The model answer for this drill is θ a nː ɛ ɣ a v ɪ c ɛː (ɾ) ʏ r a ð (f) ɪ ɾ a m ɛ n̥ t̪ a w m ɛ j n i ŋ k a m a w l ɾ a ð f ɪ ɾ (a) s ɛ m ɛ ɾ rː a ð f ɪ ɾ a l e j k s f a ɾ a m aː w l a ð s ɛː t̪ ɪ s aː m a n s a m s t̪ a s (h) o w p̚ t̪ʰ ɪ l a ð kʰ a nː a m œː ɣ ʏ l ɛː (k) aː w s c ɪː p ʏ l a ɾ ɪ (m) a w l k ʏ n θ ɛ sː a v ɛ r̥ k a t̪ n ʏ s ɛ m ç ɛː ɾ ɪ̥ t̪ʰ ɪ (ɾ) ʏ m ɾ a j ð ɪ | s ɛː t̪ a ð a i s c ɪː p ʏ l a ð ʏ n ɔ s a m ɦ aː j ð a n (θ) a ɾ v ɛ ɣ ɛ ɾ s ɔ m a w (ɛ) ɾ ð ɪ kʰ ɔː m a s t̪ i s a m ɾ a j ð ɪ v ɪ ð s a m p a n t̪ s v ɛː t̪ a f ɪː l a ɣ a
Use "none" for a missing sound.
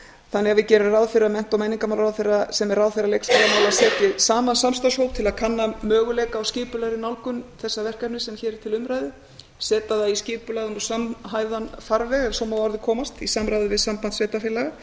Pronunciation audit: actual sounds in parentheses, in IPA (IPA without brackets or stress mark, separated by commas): ɾ, f, a, h, k, n, l, f, a